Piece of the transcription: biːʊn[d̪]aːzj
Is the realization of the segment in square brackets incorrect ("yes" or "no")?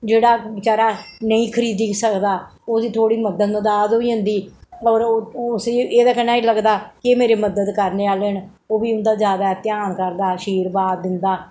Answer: no